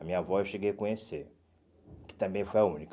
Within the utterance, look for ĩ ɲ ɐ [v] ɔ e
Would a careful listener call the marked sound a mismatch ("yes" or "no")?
no